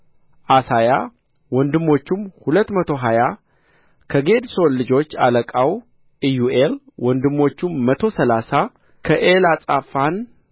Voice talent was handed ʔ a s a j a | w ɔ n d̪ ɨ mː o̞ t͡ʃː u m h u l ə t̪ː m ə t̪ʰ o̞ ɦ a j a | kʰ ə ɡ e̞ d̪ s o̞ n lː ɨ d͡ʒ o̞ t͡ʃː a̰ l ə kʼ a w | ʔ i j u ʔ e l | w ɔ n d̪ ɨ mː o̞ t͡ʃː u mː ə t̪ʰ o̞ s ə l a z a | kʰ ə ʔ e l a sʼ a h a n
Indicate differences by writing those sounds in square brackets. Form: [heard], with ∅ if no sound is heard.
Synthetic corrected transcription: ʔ a s a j a | w ɔ n d̪ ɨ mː o̞ t͡ʃː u m h u l ə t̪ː m ə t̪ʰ o̞ ɦ a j a | kʰ ə ɡ e̞ d̪ s o̞ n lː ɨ d͡ʒ o̞ t͡ʃː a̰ l ə kʼ a w | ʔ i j u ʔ e l | w ɔ n d̪ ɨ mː o̞ t͡ʃː u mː ə t̪ʰ o̞ s ə l a [s] a | kʰ ə ʔ e l a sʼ a [f] a n